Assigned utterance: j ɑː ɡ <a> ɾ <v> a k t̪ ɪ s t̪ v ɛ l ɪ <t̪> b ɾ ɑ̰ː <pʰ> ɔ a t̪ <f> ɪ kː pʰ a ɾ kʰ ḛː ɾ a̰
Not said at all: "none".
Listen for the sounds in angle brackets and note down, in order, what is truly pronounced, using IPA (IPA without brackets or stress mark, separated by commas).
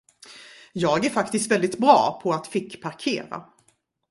æ, f, t̪, pʰ, f